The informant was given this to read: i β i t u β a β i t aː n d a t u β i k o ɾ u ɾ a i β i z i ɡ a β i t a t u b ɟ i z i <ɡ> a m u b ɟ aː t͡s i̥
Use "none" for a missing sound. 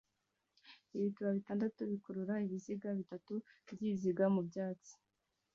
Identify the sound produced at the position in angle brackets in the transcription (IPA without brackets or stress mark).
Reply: ɡ